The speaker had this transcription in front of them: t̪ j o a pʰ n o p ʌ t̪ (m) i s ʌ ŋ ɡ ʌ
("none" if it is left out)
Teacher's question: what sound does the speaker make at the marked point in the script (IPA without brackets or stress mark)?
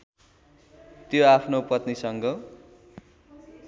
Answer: n